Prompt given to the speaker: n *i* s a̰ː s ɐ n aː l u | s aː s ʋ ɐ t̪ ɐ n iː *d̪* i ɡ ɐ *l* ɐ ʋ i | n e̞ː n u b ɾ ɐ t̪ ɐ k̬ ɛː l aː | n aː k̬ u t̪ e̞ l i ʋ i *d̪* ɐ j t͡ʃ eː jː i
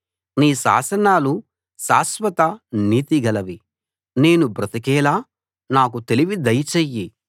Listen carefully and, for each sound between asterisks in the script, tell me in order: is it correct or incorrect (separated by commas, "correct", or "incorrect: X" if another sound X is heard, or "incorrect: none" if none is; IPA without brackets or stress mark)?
incorrect: iː, incorrect: t̪, correct, correct